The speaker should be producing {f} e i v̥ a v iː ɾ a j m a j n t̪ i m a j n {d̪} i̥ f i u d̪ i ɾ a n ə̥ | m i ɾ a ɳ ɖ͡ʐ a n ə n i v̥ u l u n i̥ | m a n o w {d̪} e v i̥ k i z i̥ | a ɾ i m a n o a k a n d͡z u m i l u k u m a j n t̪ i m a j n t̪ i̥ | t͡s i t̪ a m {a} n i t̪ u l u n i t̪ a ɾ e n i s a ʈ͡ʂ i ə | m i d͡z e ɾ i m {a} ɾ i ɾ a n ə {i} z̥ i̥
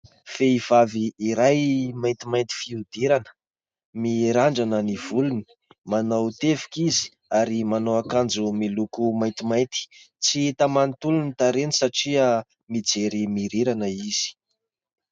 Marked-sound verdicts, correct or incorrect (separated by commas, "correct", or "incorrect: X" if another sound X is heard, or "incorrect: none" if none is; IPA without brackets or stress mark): correct, incorrect: t̪, incorrect: t̪, correct, incorrect: i, correct